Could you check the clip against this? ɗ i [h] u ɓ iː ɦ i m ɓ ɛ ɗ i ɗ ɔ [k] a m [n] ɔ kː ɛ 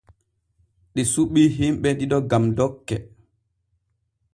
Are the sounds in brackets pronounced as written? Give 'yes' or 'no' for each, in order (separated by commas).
no, no, no